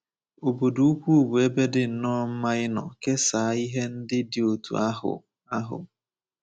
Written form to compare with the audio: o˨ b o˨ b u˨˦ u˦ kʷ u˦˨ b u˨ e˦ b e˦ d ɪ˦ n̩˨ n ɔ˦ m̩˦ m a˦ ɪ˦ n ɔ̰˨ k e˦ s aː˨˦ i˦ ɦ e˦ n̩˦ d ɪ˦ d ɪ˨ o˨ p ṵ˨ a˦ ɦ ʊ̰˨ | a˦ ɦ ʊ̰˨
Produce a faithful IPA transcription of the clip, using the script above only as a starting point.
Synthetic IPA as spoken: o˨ b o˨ d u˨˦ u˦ kʷ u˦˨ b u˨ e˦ b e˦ d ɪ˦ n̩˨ n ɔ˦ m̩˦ m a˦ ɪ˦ n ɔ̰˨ k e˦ s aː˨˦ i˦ ɦ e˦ n̩˦ d ɪ˦ d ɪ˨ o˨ t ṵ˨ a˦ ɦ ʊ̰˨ | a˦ ɦ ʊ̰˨